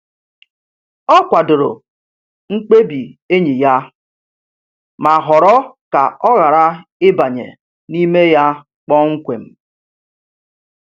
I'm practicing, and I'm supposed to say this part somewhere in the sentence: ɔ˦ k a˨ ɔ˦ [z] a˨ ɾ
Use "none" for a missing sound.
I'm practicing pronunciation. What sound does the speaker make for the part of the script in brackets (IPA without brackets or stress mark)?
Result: ɣ